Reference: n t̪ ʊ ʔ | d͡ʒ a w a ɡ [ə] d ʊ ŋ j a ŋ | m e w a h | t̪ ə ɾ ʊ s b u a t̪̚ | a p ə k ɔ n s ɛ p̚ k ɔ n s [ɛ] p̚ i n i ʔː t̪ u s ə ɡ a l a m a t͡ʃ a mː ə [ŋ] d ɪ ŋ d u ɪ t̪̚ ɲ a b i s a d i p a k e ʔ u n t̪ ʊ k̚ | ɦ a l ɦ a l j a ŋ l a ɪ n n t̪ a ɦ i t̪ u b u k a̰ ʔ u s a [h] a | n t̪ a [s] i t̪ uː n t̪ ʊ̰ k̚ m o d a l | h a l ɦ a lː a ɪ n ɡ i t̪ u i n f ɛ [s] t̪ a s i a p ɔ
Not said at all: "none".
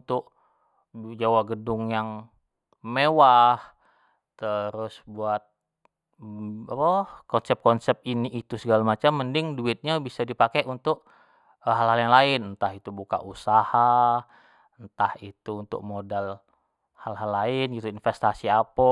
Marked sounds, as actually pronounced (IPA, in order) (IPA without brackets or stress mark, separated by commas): ə, ɛ, n, h, h, s